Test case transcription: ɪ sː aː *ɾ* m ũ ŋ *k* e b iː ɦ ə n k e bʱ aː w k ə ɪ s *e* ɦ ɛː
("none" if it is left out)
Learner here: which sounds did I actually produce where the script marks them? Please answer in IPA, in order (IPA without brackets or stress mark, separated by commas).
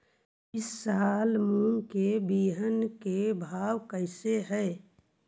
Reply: l, k, e